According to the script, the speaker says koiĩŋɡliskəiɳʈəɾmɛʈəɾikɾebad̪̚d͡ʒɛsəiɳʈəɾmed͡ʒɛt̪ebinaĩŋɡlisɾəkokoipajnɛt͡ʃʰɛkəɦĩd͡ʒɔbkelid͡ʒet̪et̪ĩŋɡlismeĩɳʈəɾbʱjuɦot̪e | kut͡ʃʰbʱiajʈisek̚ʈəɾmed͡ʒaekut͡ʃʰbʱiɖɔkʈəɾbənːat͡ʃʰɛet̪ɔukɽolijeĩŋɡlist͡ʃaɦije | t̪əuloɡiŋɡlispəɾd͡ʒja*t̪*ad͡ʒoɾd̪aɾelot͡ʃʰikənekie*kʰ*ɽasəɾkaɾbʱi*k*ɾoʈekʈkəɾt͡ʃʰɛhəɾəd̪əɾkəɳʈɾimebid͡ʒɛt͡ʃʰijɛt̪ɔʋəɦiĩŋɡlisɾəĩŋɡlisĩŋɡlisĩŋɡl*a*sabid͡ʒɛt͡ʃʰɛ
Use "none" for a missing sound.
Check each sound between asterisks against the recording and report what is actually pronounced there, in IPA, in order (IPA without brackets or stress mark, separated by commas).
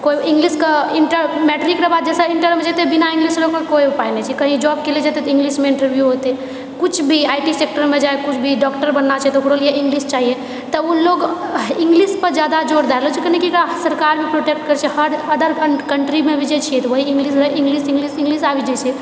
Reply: d̪, k, p, i